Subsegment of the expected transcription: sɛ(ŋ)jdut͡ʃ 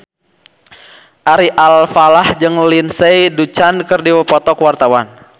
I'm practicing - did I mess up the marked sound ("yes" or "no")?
yes